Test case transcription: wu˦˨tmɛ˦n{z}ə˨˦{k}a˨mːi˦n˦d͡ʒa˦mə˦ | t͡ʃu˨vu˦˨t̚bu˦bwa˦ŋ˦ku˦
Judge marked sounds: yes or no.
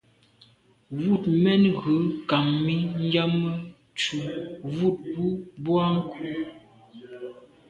no, yes

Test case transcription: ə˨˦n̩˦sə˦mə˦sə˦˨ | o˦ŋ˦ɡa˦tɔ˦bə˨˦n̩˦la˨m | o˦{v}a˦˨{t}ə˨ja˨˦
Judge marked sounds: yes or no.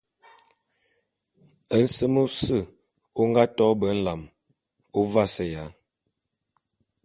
yes, no

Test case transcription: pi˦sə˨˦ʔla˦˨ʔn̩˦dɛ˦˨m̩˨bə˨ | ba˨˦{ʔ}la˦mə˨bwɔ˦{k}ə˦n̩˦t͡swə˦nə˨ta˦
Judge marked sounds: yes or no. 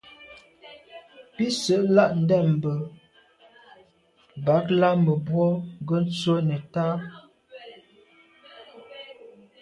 no, no

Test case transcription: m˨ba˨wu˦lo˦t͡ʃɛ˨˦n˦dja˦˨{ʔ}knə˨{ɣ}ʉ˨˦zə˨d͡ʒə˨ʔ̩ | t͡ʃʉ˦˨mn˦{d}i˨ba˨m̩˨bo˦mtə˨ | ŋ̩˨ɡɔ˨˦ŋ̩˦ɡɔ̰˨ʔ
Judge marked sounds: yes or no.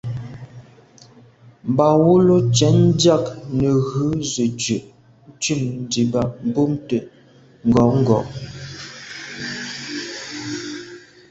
no, yes, yes

